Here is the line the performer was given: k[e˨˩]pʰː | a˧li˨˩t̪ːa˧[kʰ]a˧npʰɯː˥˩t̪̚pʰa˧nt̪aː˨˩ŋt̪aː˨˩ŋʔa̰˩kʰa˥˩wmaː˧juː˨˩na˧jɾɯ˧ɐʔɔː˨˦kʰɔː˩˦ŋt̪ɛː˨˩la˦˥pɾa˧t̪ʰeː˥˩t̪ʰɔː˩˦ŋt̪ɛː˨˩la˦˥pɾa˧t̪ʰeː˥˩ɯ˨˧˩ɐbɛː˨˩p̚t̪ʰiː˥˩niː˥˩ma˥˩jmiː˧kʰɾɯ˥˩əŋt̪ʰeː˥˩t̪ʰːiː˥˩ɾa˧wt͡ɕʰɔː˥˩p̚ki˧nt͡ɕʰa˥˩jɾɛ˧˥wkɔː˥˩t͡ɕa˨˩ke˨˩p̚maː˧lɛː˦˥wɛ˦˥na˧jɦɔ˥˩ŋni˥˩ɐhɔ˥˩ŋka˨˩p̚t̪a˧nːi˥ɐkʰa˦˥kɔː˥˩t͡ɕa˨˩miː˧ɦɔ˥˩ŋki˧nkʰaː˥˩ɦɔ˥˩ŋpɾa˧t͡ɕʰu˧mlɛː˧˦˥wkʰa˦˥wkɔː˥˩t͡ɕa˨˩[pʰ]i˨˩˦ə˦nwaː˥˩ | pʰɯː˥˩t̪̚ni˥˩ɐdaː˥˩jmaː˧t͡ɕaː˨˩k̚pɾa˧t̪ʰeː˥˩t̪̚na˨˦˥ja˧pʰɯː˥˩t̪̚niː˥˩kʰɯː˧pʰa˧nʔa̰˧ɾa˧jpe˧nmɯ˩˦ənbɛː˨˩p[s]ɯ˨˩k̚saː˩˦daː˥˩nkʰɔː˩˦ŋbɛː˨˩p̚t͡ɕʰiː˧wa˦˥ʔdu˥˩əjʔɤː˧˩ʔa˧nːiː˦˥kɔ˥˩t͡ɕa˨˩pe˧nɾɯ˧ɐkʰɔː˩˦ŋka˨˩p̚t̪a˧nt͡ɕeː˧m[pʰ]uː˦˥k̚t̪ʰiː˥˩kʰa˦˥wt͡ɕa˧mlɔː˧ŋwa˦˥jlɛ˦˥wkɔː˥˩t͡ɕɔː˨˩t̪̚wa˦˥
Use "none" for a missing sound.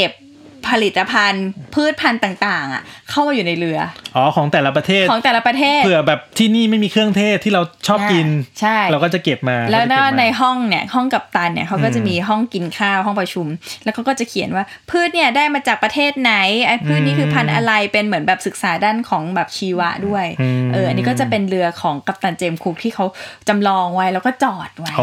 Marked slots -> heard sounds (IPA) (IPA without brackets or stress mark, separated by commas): e˨˩, pʰ, kʰ, s, kʰ